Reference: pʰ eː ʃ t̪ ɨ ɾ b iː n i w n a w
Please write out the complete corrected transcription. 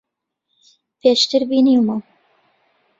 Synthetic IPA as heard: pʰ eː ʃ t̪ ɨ ɾ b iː n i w m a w